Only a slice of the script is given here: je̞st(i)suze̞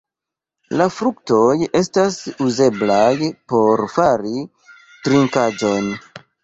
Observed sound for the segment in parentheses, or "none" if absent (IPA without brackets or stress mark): a